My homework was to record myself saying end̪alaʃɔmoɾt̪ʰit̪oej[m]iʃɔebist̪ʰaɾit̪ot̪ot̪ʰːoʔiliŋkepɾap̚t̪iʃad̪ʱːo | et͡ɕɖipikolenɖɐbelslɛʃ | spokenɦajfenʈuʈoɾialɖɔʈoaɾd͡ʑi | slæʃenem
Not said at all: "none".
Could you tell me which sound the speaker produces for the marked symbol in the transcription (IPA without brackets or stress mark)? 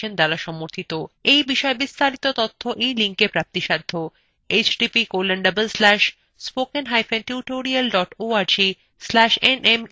b